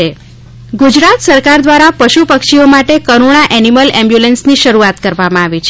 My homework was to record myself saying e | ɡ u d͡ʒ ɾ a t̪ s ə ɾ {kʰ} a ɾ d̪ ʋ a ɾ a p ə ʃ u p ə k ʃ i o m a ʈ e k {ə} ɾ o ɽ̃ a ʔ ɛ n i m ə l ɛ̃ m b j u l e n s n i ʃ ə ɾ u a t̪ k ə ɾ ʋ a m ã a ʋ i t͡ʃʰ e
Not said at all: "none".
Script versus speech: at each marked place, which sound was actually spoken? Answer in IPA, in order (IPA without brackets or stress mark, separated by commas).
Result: k, ə